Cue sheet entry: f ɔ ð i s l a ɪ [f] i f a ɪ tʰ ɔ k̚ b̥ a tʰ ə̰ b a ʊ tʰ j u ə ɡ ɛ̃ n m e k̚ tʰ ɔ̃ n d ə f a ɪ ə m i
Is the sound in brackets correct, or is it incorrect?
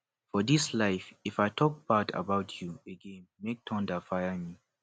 correct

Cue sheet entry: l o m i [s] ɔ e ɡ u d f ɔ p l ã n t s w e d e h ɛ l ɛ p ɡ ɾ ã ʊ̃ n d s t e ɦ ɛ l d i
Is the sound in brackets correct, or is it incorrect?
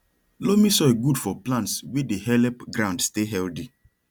correct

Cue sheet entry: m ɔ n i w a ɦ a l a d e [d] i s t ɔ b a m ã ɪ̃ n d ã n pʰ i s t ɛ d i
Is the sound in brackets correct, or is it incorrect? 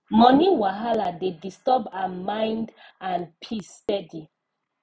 correct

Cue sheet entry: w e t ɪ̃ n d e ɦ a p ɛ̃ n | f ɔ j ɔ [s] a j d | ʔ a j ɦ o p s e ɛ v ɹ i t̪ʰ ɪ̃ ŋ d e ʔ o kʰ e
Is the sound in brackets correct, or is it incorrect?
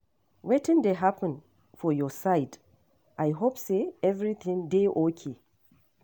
correct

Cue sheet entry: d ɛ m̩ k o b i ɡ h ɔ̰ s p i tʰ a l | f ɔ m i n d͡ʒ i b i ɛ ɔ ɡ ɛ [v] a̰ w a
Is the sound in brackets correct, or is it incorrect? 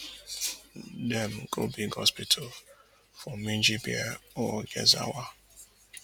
incorrect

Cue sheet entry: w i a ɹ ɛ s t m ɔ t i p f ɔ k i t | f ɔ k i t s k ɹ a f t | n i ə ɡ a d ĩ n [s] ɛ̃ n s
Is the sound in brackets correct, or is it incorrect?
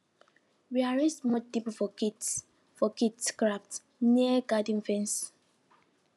incorrect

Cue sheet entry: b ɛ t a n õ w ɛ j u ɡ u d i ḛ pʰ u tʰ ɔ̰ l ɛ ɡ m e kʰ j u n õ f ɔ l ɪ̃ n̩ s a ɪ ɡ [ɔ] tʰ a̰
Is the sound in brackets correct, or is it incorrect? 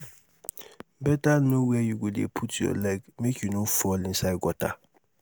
correct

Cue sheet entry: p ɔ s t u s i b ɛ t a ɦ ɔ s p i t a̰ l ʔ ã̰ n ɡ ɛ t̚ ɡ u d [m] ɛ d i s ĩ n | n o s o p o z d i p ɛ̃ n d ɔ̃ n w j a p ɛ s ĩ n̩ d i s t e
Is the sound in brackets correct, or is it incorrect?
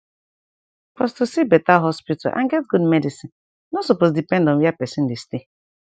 correct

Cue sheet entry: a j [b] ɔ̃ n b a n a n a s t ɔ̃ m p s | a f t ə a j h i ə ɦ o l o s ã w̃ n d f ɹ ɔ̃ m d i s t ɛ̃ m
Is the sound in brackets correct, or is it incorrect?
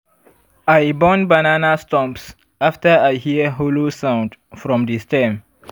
correct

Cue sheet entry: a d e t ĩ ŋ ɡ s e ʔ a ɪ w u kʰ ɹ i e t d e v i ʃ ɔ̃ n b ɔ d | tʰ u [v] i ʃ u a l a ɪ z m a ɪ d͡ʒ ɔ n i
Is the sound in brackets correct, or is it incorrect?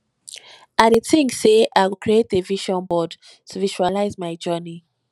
correct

